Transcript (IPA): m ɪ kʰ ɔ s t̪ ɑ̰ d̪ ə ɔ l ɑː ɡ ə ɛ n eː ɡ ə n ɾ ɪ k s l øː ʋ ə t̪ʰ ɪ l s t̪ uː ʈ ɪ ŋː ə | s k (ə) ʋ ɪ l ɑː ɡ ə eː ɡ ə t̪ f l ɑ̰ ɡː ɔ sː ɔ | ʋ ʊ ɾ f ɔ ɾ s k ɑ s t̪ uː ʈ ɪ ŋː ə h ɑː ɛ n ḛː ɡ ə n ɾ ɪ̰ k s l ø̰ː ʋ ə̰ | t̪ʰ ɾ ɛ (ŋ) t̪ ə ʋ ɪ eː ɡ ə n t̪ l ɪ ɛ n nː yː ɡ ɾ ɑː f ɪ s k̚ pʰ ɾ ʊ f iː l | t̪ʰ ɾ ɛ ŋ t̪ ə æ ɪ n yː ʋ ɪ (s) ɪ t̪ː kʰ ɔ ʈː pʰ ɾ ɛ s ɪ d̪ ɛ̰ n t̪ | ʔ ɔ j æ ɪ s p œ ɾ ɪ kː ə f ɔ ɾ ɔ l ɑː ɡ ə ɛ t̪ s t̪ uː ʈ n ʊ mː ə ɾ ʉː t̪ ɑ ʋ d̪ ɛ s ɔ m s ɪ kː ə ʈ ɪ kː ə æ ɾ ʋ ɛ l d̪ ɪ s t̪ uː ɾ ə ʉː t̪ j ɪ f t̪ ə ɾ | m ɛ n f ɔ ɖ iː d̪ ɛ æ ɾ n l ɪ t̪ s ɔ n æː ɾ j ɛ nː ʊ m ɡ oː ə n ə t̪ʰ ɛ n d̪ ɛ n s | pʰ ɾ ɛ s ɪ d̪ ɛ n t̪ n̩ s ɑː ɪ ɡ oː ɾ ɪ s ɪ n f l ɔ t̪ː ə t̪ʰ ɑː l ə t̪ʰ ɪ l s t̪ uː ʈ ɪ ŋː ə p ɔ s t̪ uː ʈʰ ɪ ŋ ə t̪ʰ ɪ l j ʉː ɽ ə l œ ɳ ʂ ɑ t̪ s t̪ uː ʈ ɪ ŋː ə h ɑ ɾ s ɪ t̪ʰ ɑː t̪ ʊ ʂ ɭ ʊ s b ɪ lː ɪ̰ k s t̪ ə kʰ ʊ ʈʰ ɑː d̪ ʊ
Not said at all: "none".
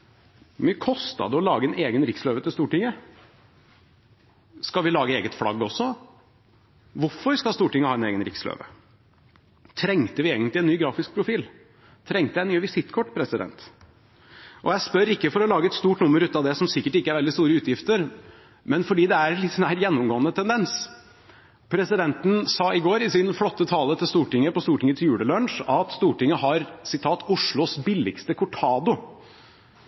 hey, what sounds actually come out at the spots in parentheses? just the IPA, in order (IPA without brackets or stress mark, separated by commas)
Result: ɑ, ŋ, s